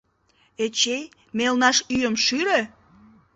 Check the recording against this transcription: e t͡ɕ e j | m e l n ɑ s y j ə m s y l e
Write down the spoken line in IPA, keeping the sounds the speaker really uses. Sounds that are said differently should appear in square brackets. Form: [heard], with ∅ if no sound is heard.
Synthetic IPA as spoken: e t͡ɕ e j | m e l n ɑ [ʃ] y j ə m [ʃ] y [ɾ] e